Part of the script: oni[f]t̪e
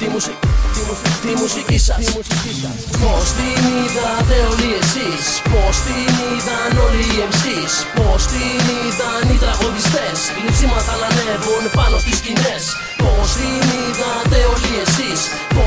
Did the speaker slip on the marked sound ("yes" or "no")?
yes